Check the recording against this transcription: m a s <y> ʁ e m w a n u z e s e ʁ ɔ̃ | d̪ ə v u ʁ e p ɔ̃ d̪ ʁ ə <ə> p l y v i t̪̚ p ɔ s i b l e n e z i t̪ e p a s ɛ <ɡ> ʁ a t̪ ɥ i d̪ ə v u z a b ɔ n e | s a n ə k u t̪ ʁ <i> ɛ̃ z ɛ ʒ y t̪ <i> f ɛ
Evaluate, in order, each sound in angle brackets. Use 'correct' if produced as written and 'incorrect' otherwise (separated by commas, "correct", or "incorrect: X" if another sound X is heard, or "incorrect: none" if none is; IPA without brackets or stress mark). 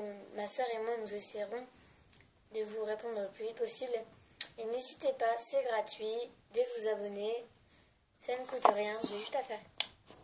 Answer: incorrect: œ, correct, correct, incorrect: j, incorrect: a